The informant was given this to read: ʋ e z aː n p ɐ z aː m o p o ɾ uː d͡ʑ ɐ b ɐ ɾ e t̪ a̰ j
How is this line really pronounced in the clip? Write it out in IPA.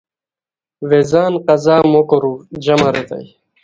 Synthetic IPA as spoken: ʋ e z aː n q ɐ z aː m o k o ɾ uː d͡ʑ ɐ m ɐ ɾ e t̪ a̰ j